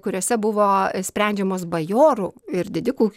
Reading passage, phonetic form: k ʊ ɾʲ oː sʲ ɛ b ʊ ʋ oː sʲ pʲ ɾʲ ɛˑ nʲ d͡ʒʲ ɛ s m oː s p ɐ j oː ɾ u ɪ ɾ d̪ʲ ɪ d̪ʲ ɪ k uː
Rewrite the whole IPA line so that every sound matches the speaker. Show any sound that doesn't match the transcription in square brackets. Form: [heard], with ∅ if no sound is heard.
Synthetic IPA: k ʊ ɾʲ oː sʲ ɛ b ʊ ʋ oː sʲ pʲ ɾʲ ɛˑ nʲ d͡ʒʲ ɛ [∅] m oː s [b] ɐ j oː ɾ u ɪ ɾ d̪ʲ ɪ d̪ʲ ɪ k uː